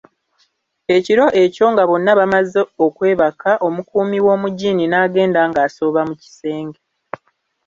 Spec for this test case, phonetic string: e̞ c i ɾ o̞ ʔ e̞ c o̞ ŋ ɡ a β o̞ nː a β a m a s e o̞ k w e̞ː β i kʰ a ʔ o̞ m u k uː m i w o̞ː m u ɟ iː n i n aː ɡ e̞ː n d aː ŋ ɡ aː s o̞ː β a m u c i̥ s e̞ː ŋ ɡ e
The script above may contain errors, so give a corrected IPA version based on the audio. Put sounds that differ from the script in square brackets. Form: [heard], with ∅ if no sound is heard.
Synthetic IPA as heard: e̞ c i ɾ o̞ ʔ e̞ c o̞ ŋ ɡ a β o̞ nː a β a m a [z] e o̞ k w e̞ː β [a] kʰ a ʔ o̞ m u k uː m i w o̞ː m u ɟ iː n i n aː ɡ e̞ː n d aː ŋ ɡ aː s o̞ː β a m u c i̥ s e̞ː ŋ ɡ e